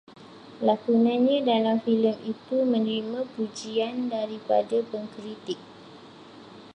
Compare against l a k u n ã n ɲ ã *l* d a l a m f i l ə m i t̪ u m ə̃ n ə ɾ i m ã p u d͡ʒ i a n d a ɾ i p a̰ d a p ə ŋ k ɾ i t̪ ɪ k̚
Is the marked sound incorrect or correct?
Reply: incorrect